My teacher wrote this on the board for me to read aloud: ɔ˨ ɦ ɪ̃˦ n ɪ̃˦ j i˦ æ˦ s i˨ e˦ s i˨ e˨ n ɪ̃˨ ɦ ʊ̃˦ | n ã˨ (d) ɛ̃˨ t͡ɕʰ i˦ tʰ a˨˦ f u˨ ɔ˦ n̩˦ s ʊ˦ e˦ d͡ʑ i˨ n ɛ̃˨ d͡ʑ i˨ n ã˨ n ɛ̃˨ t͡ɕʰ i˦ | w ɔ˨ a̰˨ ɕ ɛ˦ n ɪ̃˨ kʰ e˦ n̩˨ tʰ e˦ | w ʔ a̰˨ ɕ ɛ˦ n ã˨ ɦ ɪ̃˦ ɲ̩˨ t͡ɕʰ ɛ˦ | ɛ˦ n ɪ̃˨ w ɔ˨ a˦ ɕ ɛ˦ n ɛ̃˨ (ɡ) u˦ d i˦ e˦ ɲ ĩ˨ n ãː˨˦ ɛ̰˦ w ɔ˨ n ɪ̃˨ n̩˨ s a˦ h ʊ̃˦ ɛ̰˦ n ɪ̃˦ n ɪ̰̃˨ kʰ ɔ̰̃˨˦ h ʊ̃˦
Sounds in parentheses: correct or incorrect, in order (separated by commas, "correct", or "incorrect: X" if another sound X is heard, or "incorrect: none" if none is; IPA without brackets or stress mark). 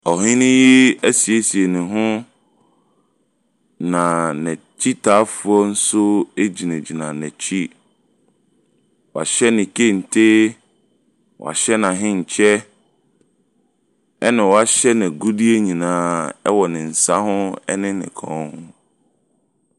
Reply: incorrect: n, correct